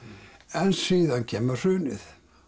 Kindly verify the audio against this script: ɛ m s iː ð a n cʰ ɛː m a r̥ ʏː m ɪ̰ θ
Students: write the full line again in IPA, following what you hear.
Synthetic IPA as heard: ɛ n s iː ð a n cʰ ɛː m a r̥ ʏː n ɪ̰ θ

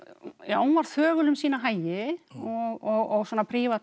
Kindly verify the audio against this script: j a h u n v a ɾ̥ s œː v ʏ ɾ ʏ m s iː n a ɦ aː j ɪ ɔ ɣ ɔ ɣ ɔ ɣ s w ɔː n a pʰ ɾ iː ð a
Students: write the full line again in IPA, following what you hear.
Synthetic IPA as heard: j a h u n v a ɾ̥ θ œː ɣ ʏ l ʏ m s iː n a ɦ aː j ɪ ɔ ɣ ɔ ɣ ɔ ɣ s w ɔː n a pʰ ɾ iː v a

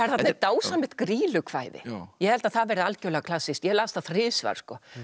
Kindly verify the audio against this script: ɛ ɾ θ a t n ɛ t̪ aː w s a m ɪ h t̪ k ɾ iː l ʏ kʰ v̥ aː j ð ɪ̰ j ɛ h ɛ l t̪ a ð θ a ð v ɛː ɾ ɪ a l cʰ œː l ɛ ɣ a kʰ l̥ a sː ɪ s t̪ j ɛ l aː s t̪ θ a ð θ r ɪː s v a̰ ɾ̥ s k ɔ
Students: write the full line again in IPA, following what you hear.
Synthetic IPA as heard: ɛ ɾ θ a t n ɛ t̪ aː w s a m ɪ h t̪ k ɾ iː l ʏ kʰ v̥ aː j ð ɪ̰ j ɛ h ɛ l t̪ a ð θ a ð v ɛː ɾ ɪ a l c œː l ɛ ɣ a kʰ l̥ a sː ɪ s t̪ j ɛ l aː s t̪ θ a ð θ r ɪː s v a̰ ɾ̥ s k ɔ

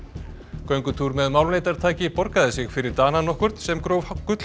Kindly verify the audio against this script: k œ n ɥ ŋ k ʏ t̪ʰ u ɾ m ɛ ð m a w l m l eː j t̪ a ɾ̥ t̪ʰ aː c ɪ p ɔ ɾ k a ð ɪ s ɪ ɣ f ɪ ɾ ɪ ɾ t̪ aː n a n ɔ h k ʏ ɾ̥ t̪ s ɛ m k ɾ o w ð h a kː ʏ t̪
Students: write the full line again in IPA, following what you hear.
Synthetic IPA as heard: k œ ɥ ŋ k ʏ t̪ʰ u ɾ m ɛ ð m a w l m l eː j t̪ a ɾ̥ t̪ʰ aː c ɪ p ɔ ɾ k a ð ɪ s ɪ ɣ f ɪ ɾ ɪ ɾ t̪ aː n a n ɔ h k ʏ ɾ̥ t̪ s ɛ m k ɾ o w v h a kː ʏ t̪

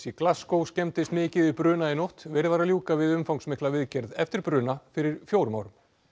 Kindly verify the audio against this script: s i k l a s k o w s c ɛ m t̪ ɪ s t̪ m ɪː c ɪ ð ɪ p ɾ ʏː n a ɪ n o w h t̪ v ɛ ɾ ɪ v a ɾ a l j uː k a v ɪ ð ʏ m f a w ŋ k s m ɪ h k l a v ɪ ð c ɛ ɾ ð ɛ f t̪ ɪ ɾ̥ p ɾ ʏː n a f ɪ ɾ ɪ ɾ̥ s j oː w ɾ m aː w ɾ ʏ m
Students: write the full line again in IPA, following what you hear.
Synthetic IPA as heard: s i k l a s k o w s c ɛ m t̪ ɪ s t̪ m ɪː c ɪ ð ɪ p ɾ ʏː n a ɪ n o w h t̪ v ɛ ɾ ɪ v a ɾ a l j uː k a v ɪ ð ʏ m f a w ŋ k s m ɪ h k l a v ɪ ð c ɛ ɾ ð ɛ f t̪ ɪ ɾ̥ p ɾ ʏː n a f ɪ ɾ ɪ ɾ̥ f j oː w ɾ m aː w ɾ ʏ m

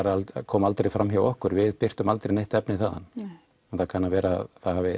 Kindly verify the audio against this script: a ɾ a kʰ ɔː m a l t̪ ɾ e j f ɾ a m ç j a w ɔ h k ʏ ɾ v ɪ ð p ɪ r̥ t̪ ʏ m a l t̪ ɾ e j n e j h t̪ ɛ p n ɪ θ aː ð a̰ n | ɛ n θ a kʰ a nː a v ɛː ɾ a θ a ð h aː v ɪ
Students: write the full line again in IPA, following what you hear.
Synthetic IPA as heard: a ɾ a kʰ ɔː m a l t̪ ɾ e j f ɾ a m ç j a w ɔ h k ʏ ɾ v ɪ ð p ɪ r̥ t̪ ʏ m a l t̪ ɾ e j n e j h t̪ ɛ p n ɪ θ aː ð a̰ n | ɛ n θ a kʰ a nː a v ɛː ɾ a θ a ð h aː v ɪ

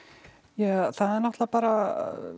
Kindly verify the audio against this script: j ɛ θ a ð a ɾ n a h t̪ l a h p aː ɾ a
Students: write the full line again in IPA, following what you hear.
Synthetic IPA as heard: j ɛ θ a ð ɛ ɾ n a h t̪ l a p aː ɾ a

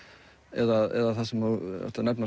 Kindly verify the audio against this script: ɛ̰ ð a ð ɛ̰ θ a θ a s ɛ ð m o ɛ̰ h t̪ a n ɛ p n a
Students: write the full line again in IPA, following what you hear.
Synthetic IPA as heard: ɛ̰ ð a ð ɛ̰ ð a θ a s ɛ m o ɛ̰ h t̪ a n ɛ p n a

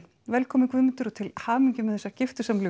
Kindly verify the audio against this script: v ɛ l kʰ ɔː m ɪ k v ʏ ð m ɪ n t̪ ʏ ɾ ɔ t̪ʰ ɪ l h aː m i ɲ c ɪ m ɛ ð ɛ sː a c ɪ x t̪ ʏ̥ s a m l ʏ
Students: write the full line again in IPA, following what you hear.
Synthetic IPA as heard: v ɛ l kʰ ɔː m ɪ k v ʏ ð m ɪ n t̪ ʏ ɾ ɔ t̪ʰ ɪ l h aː m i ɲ c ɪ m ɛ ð ɛ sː a c ɪ f t̪ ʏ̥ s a m l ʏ

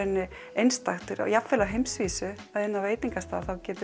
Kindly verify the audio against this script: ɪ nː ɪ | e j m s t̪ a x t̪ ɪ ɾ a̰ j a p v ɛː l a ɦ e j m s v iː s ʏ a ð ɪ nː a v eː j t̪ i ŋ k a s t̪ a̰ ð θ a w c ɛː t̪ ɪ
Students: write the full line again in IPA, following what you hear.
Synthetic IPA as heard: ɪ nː ɪ | e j n s t̪ a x t̪ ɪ ɾ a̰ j a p f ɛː l a ɦ e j m s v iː s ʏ a ð ɪ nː a v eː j t̪ i ŋ k a s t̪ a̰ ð θ a w c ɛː t̪ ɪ

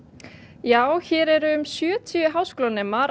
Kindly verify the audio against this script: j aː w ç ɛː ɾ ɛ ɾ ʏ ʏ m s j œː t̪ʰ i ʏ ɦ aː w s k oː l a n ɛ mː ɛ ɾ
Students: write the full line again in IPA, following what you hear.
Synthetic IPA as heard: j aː w ç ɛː ɾ ɛ ɾ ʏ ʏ m s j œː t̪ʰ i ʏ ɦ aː w s k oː l a n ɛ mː a ɾ

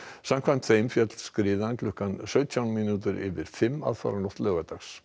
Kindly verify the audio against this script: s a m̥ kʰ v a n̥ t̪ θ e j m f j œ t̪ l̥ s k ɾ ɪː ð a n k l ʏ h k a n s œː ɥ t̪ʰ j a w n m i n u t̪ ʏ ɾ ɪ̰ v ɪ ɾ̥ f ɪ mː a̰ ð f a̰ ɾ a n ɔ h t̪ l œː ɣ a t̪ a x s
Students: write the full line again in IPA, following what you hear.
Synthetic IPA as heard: s a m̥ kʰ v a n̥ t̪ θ e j m f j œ t̪ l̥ s k ɾ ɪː ð a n k l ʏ h k a n s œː ɥ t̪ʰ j a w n m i n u t̪ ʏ ɾ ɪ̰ v ɪ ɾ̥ f ɪ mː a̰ ð f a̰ ɾ a n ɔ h t̪ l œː ɣ a t̪ a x s

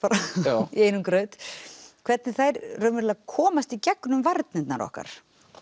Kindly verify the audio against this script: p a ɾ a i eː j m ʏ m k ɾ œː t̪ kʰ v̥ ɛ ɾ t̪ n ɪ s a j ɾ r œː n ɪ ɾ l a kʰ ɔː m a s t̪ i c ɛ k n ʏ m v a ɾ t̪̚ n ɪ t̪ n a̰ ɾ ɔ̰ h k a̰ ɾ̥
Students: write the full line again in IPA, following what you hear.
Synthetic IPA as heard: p a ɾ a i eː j n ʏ m k ɾ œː t̪ kʰ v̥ ɛ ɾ t̪ n ɪ θ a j ɾ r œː m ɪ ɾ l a kʰ ɔː m a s t̪ i c ɛ k n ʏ m v a ɾ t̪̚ n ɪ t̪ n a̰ ɾ ɔ̰ h k a̰ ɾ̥

